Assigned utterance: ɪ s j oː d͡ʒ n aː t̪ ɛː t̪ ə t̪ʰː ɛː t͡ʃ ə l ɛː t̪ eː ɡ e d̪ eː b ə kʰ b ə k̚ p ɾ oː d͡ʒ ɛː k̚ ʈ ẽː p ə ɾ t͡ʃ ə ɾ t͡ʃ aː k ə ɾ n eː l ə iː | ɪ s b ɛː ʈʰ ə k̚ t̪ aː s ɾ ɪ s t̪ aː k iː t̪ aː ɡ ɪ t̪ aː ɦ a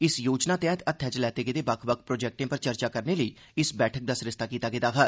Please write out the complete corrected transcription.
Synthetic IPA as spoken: ɪ s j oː d͡ʒ n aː t̪ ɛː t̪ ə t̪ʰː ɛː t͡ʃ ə l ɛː t̪ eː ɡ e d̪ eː b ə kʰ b ə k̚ p ɾ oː d͡ʒ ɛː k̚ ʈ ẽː p ə ɾ t͡ʃ ə ɾ t͡ʃ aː k ə ɾ n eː l ə iː | ɪ s b ɛː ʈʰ ə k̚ d̪ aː s ɾ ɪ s t̪ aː k iː t̪ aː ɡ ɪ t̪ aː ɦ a

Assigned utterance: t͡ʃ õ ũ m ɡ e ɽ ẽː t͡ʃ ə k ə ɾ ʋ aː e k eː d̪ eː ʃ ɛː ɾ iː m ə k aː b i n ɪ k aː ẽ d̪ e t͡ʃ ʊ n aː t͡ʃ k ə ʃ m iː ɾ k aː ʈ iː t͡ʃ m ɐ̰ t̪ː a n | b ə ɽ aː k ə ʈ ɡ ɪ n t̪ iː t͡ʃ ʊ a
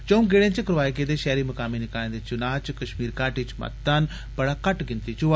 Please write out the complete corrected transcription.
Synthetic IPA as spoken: t͡ʃ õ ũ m ɡ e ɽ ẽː t͡ʃ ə k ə ɾ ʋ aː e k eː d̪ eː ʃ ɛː ɾ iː m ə k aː m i n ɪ k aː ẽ d̪ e t͡ʃ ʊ n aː t͡ʃ k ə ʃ m iː ɾ k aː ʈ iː t͡ʃ m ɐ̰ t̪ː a n | b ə ɽ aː k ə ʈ ɡ ɪ n t̪ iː t͡ʃ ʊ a

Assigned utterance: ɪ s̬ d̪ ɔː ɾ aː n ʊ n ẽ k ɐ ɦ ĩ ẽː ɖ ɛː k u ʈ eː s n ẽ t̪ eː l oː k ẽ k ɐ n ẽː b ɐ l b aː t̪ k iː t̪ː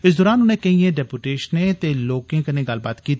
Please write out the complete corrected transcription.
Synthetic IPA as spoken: ɪ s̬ d̪ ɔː ɾ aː n ʊ n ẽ k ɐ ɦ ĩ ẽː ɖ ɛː p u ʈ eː ʃ n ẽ t̪ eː l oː k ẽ k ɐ n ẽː ɡ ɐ l b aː t̪ k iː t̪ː

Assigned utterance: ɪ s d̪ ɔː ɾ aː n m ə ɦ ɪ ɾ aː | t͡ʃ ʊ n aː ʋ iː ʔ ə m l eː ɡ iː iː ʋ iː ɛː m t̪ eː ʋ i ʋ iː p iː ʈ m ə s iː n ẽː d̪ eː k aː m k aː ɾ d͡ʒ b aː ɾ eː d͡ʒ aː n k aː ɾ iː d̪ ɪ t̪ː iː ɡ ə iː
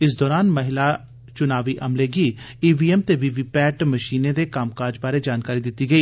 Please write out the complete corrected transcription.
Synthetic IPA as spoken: ɪ s d̪ ɔː ɾ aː n m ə ɦ ɪ l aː | t͡ʃ ʊ n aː ʋ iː ʔ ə m l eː ɡ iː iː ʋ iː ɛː m t̪ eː ʋ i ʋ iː p ɛː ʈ m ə ʃ iː n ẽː d̪ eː k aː m k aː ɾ d͡ʒ b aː ɾ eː d͡ʒ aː n k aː ɾ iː d̪ ɪ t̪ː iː ɡ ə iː

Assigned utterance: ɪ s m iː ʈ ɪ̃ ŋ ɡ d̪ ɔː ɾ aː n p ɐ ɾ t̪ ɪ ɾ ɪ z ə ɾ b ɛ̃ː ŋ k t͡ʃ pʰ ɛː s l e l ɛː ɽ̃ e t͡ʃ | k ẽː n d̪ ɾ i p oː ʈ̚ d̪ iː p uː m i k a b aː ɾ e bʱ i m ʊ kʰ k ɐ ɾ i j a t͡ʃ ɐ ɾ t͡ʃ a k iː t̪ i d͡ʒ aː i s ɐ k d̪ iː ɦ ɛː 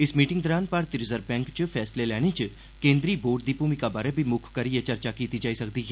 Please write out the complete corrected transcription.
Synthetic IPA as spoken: ɪ s m iː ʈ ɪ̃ ŋ ɡ d̪ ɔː ɾ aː n p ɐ ɾ t̪ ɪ ɾ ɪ z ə ɾ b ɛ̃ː ŋ k t͡ʃ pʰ ɛː s l e l ɛː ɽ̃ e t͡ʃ | k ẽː n d̪ ɾ i b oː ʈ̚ d̪ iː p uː m i k a b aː ɾ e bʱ i m ʊ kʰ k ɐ ɾ i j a t͡ʃ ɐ ɾ t͡ʃ a k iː t̪ i d͡ʒ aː i s ɐ k d̪ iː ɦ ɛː

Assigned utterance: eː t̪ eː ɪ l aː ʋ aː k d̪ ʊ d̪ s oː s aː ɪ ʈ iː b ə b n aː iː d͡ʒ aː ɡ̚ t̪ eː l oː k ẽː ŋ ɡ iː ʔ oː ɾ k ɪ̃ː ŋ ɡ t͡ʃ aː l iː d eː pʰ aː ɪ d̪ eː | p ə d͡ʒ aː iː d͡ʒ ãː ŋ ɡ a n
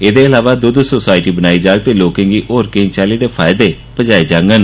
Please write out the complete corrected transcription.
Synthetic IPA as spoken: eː d̪ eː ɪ l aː ʋ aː d̪ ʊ d̪ s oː s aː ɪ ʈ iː b ə n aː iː d͡ʒ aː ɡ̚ t̪ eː l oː k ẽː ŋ ɡ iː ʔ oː ɾ k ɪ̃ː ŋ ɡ t͡ʃ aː l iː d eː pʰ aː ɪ d̪ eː | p ə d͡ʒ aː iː d͡ʒ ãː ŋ ɡ ə n

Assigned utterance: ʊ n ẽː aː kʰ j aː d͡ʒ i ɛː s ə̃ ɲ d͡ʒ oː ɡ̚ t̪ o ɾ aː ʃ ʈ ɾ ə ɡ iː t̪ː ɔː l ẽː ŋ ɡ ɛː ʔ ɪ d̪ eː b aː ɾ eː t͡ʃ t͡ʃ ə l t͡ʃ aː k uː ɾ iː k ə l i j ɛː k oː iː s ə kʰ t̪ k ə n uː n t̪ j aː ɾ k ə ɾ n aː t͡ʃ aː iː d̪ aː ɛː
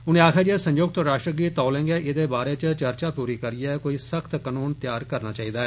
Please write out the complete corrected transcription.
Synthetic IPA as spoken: ʊ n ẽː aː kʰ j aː d͡ʒ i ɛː s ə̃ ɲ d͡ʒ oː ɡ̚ t̪ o ɾ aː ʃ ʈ ɾ ə ɡ iː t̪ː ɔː l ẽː ŋ ɡ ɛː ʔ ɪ d̪ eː b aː ɾ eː t͡ʃ t͡ʃ ə ɾ t͡ʃ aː p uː ɾ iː k ə ɾ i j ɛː k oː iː s ə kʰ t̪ k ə n uː n t̪ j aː ɾ k ə ɾ n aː t͡ʃ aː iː d̪ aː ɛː

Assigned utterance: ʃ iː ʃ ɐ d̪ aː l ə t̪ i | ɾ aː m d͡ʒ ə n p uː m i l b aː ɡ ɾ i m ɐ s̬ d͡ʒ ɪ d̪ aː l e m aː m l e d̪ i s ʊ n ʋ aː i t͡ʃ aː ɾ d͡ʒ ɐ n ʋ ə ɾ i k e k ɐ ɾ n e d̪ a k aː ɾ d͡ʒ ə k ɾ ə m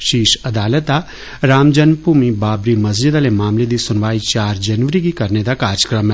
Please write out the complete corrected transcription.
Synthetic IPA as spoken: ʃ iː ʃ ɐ d̪ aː l ə t̪ a | ɾ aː m d͡ʒ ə n p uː m i b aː b ɾ i m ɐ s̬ d͡ʒ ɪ d̪ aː l e m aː m l e d̪ i s ʊ n ʋ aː i t͡ʃ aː ɾ d͡ʒ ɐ n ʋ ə ɾ i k i k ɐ ɾ n e d̪ a k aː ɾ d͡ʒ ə k ɾ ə m

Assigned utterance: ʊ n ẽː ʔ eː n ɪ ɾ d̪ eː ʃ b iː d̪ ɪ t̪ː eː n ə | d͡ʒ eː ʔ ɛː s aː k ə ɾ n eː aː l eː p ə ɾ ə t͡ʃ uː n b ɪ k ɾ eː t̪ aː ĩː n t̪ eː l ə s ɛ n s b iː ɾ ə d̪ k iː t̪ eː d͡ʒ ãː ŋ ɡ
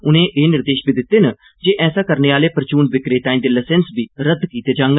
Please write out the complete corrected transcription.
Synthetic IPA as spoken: ʊ n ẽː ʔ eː n ɪ ɾ d̪ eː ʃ b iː d̪ ɪ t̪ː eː n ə | d͡ʒ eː ʔ ɛː s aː k ə ɾ n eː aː l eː p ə ɾ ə t͡ʃ uː n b ɪ k ɾ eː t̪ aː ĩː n d̪ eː l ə s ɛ n s b iː ɾ ə d̪ k iː t̪ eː d͡ʒ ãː ŋ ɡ

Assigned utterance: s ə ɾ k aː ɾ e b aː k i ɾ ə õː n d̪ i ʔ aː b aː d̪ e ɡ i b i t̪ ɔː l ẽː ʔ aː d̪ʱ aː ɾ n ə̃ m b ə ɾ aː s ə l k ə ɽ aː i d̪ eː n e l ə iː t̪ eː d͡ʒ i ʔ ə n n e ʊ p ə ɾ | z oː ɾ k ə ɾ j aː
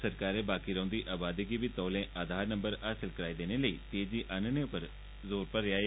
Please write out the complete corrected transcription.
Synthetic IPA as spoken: s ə ɾ k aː ɾ e b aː k i ɾ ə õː n d̪ i ʔ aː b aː d̪ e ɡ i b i t̪ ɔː l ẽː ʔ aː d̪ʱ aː ɾ n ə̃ m b ə ɾ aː s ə l k ə ɾ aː i d̪ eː n e l ə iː t̪ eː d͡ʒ i ʔ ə n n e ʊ p ə ɾ | z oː ɾ p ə ɾ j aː

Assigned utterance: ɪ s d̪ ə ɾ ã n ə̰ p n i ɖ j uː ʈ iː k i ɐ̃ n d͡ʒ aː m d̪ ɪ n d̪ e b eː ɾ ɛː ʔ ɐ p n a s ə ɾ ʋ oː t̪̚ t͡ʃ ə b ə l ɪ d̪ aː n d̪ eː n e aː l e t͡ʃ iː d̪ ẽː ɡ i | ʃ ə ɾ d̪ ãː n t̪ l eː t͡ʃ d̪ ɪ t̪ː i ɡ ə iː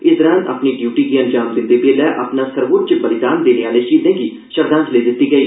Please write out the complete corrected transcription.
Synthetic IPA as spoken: ɪ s d̪ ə ɾ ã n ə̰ p n i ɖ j uː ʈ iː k i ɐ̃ n d͡ʒ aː m d̪ ɪ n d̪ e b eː l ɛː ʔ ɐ p n a s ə ɾ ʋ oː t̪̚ t͡ʃ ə b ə l ɪ d̪ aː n d̪ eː n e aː l e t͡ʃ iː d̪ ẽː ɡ i | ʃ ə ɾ d̪ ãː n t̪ l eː d̪ ɪ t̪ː i ɡ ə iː

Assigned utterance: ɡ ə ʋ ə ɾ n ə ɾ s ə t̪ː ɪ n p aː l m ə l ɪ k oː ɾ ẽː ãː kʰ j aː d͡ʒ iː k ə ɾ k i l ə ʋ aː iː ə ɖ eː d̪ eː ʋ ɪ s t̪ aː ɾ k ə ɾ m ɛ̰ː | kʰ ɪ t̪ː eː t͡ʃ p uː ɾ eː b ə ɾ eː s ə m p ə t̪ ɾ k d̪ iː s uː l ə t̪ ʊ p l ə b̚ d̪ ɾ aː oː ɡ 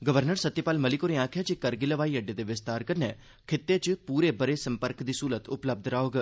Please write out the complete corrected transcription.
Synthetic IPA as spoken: ɡ ə ʋ ə ɾ n ə ɾ s ə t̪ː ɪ p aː l m ə l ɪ k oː ɾ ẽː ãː kʰ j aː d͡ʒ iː k ə ɾ ɡ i l ə ʋ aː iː ə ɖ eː d̪ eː ʋ ɪ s t̪ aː ɾ k ə ɾ n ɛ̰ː | kʰ ɪ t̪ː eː t͡ʃ p uː ɾ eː b ə ɾ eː s ə m p ə ɾ k d̪ iː s uː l ə t̪ ʊ p l ə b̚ d̪ ɾ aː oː ɡ

